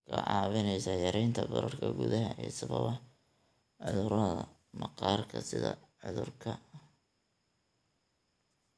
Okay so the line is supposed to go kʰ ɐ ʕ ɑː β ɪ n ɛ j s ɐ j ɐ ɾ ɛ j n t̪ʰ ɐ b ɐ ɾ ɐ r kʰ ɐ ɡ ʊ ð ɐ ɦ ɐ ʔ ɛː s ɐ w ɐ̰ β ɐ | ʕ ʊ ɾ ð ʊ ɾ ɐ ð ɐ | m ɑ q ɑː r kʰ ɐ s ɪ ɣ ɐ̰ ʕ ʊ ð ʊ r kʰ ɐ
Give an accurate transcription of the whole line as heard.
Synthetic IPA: kʰ ɐ ʕ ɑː β ɪ n ɛ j s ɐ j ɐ ɾ ɛ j n t̪ʰ ɐ b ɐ ɾ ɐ r kʰ ɐ ɡ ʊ ð ɐ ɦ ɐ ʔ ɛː s ɐ β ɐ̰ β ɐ | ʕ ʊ ð ʊ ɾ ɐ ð ɐ | m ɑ q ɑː r kʰ ɐ s ɪ ð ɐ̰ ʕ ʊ ð ʊ r kʰ ɐ